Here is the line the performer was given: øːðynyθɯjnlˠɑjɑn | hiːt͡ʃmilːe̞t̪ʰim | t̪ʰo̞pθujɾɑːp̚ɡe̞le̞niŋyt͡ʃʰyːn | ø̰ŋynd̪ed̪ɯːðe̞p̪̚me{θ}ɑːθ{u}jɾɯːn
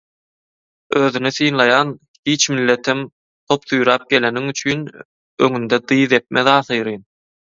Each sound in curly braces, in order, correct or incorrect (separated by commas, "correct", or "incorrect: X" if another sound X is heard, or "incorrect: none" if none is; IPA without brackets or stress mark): incorrect: ð, incorrect: ɯ